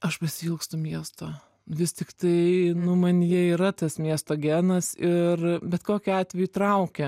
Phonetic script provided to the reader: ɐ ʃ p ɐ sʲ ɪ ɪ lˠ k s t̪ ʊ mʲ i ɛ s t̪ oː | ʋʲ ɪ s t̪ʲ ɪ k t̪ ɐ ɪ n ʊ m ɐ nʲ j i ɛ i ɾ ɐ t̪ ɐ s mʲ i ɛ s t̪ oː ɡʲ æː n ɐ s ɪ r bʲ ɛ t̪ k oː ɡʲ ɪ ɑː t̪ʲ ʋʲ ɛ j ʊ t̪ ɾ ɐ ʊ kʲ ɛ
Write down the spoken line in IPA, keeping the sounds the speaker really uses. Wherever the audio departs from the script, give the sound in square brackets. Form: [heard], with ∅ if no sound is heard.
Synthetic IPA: ɐ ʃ p ɐ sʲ ɪ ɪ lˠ k s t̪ ʊ mʲ i ɛ s t̪ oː | ʋʲ ɪ s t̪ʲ ɪ k t̪ ɐ ɪ n ʊ m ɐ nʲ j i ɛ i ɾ ɐ t̪ ɐ s mʲ i ɛ s t̪ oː ɡʲ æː n ɐ s ɪ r bʲ ɛ t̪ k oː [kʲ] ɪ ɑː t̪ʲ ʋʲ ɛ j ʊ t̪ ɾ ɐ ʊ kʲ ɛ